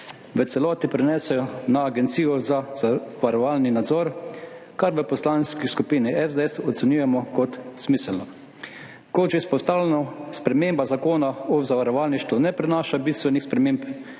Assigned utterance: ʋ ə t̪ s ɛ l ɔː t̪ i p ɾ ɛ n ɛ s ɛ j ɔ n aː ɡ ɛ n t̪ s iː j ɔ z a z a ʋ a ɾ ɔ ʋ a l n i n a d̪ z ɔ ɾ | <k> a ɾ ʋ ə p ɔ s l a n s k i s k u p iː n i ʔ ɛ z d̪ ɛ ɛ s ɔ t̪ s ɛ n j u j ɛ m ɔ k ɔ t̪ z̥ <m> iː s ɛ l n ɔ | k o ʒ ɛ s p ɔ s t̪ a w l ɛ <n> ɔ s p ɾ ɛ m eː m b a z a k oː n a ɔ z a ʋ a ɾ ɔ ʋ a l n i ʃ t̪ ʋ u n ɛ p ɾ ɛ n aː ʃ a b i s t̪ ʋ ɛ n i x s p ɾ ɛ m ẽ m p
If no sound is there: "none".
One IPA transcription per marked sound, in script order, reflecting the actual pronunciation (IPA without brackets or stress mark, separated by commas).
k, m, n